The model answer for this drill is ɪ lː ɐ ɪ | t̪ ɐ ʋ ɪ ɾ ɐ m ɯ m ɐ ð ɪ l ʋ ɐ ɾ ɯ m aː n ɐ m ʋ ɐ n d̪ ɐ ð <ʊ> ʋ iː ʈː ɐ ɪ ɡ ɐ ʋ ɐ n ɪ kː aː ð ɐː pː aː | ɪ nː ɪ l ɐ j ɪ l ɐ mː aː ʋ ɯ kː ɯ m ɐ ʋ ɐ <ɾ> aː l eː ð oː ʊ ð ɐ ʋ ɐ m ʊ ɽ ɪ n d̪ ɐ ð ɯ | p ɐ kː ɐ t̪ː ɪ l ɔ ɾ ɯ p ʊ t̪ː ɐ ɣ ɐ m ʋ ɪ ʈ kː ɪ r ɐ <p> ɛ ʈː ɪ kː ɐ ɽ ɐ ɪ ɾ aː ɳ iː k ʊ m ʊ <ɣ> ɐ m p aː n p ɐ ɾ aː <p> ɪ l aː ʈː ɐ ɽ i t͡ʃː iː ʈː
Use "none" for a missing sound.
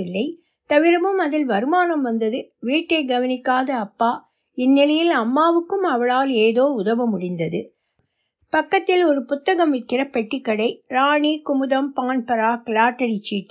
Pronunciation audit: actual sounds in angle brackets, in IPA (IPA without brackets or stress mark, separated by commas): ɯ, ɭ, p, ð, k